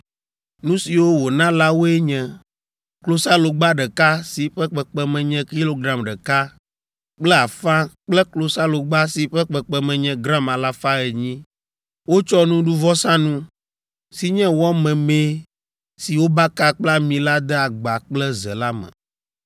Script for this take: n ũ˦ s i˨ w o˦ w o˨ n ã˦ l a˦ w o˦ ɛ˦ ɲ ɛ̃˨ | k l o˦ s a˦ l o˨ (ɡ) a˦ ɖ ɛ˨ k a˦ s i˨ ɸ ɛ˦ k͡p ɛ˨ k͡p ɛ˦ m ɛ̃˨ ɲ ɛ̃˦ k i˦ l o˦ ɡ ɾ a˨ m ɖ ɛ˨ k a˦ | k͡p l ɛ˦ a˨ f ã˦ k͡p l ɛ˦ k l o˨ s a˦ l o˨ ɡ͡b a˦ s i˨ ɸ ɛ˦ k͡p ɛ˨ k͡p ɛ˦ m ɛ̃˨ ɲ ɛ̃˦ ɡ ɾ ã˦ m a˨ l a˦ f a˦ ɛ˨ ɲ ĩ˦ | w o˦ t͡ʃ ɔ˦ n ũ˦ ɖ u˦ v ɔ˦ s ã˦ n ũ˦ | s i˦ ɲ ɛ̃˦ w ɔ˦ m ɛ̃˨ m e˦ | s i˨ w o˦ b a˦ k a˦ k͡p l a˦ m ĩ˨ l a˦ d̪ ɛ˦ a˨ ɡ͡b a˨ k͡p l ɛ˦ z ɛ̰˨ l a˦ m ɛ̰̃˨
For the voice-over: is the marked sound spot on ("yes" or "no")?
no